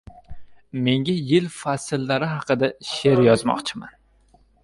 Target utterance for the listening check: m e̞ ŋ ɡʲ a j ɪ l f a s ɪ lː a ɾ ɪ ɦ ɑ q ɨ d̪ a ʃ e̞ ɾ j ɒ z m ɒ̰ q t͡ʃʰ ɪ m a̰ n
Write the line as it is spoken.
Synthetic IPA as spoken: m e̞ ŋ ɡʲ a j ɪ l f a s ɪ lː a ɾ ɪ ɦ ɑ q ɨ d̪ a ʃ e̞ ɾ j ɒ z m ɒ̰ q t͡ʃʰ ɪ m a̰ n